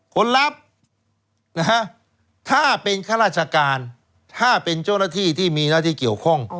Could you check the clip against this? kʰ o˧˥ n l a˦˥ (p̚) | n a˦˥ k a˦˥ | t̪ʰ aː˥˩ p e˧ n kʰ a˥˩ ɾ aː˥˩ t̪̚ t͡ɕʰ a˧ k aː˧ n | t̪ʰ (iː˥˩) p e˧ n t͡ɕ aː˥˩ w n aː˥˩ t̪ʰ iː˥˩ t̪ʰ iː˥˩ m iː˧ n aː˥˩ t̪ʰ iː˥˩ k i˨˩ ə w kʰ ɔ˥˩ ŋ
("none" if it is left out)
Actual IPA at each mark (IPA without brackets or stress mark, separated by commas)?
p̚, aː˥˩